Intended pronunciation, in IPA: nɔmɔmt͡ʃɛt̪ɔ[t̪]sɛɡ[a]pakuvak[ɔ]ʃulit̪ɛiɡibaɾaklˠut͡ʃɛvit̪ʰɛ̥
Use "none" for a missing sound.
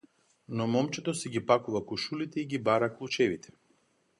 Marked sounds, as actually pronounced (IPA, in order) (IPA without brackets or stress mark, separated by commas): none, i, u